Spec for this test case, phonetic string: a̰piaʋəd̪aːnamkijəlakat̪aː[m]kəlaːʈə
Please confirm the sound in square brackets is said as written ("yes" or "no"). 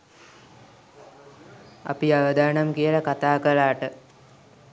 no